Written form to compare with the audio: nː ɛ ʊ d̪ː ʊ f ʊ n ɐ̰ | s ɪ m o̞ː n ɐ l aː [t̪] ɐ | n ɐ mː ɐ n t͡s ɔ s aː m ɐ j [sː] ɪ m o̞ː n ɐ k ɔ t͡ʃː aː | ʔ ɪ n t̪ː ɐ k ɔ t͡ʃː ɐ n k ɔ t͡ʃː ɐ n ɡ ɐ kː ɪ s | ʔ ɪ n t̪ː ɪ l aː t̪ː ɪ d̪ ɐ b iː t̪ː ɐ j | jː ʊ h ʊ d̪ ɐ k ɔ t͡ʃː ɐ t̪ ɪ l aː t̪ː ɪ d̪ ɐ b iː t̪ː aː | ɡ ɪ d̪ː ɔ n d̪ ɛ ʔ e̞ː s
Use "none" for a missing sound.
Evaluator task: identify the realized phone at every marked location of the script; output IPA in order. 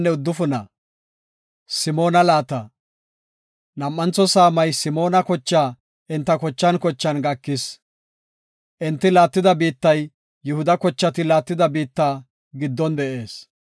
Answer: t̪, s

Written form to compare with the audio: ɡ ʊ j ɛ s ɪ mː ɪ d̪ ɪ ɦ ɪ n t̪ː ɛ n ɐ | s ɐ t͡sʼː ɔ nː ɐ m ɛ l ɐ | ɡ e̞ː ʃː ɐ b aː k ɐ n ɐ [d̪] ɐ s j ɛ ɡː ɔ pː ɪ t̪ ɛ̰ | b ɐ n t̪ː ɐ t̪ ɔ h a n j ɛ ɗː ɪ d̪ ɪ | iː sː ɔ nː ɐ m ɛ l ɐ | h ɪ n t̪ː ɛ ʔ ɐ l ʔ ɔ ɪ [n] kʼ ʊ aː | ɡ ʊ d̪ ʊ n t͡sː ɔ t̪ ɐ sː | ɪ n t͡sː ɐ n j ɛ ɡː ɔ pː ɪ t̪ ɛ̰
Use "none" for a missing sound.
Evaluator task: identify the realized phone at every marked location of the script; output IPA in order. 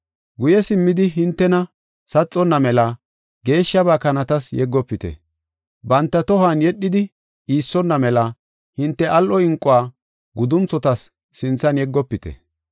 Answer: t̪, ŋ

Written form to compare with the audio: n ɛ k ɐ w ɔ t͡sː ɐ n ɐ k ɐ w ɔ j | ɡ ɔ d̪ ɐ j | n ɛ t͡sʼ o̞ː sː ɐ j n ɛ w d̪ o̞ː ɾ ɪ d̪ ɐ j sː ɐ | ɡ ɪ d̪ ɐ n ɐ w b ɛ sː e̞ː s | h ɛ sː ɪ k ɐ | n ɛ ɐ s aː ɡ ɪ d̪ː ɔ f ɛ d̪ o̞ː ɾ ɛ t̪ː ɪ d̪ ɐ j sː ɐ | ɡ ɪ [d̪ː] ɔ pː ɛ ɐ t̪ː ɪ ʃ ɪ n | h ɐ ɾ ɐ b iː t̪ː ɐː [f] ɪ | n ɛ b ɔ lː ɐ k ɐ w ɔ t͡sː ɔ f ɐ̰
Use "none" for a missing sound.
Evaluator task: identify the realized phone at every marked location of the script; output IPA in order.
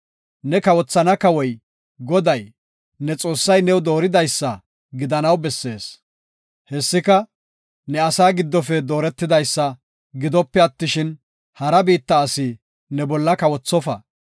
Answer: d̪, s

